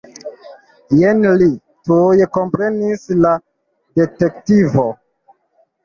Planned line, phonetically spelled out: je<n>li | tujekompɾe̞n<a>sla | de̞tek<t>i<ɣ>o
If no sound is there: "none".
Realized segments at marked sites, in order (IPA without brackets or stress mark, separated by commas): n, i, t, v